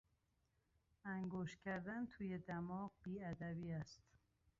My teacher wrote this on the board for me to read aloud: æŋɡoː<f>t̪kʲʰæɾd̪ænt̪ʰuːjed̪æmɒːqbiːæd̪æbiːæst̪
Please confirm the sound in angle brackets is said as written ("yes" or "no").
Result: no